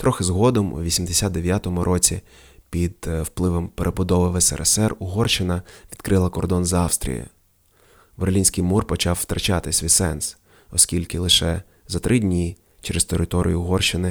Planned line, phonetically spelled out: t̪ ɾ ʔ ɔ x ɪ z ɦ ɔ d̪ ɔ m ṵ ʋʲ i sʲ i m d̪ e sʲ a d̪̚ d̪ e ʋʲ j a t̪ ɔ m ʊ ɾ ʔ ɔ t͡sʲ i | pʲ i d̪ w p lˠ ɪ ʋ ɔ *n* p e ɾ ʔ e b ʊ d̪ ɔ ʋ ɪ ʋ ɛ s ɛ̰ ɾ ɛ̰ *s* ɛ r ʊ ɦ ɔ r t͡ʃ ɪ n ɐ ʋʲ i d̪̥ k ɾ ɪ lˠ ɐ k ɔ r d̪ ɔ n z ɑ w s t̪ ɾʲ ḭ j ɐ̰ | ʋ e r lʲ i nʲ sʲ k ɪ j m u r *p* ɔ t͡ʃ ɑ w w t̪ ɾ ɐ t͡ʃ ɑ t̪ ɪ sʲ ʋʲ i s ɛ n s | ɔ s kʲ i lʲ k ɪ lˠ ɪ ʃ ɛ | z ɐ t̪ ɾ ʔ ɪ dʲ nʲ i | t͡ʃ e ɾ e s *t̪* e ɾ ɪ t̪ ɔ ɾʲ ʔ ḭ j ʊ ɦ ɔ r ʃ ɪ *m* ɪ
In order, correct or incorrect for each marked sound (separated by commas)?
incorrect, correct, correct, correct, incorrect